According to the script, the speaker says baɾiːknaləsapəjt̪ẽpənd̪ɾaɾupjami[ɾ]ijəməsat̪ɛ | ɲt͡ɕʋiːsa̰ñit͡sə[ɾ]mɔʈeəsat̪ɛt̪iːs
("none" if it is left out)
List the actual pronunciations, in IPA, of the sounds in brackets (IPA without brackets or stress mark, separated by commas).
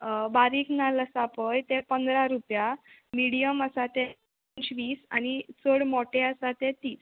ɽ, ɽ